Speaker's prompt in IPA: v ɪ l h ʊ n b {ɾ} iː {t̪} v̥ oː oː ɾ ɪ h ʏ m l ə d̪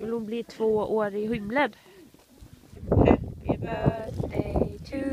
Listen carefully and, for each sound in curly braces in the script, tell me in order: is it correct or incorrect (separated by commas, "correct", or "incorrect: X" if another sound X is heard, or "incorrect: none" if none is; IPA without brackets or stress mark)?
incorrect: l, incorrect: t̪ʰ